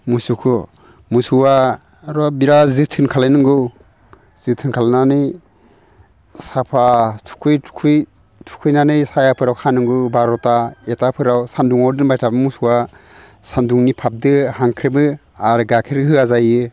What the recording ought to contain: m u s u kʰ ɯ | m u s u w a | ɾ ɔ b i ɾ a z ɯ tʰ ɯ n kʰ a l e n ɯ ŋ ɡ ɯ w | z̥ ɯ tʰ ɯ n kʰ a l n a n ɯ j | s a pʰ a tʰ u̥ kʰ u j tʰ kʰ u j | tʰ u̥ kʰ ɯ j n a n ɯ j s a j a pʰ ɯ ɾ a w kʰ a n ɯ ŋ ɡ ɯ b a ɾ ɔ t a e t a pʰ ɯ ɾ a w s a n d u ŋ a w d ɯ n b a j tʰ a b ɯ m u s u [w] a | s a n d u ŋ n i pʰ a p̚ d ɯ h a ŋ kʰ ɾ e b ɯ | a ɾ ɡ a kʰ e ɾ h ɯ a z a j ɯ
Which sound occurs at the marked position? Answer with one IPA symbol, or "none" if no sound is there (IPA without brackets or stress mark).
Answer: w